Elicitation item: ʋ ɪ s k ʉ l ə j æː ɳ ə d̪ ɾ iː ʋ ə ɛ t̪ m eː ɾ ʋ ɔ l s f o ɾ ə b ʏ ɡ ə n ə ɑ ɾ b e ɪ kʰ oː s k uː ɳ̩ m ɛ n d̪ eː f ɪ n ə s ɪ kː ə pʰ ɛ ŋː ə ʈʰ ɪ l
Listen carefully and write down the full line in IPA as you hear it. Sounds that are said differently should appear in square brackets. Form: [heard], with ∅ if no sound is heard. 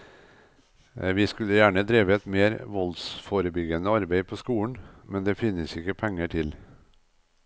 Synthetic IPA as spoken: ʋ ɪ s k ʉ l ə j æː ɳ ə d̪ ɾ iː ʋ ə ɛ t̪ m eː ɾ ʋ ɔ l s f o ɾ ə b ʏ ɡ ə n ə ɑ ɾ b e ɪ [pʰ] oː s k uː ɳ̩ m ɛ n d̪ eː f ɪ n ə s ɪ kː ə pʰ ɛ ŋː ə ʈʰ ɪ l